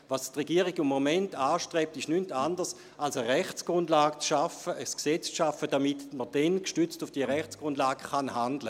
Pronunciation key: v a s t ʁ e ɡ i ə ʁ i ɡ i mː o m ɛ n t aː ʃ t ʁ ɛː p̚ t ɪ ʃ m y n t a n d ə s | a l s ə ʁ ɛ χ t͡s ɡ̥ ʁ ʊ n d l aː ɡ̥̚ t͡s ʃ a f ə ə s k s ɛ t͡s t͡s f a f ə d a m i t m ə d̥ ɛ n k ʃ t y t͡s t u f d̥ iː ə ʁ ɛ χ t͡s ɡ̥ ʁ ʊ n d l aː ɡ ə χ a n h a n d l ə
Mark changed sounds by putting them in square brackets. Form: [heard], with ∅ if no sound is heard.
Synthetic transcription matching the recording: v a s t ʁ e ɡ i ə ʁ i ɡ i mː o m ɛ n t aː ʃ t ʁ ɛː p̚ t ɪ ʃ [n] y n t a n d ə s | a l s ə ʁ ɛ χ t͡s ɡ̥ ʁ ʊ n d l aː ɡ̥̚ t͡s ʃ a f ə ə s k s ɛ t͡s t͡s [ʃ] a f ə d a m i t m ə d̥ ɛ n k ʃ t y t͡s t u f d̥ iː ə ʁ ɛ χ t͡s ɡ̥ ʁ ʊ n d l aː ɡ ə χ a n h a n d l ə